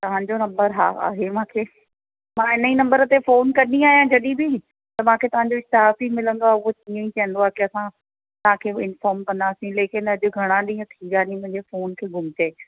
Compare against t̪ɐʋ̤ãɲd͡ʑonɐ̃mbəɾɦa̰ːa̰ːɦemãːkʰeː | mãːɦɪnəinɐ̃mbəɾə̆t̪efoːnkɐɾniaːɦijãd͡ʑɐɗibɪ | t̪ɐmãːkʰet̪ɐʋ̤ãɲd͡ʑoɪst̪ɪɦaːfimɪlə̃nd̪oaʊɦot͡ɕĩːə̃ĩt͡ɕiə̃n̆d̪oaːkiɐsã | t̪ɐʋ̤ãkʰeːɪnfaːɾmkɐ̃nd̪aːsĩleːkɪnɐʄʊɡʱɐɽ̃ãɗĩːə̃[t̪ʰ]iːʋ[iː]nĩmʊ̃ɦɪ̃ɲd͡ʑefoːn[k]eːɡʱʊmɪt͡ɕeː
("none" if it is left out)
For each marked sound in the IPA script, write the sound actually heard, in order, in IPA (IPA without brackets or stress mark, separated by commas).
t̪ʰ, aː, kʰ